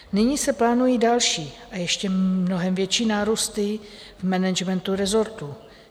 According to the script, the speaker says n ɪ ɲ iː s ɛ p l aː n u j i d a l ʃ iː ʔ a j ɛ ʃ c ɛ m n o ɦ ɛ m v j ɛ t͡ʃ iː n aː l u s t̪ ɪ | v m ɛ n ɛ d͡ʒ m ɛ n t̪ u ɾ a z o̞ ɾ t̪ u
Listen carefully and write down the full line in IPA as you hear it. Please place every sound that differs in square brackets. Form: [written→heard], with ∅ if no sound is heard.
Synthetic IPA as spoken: n ɪ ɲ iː s ɛ p l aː n u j i d a l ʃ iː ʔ a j ɛ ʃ c ɛ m n o ɦ ɛ m v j ɛ t͡ʃ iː n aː [l→ɾ] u s t̪ ɪ | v m ɛ n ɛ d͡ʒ m ɛ n t̪ u ɾ [a→ɛ] z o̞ ɾ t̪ u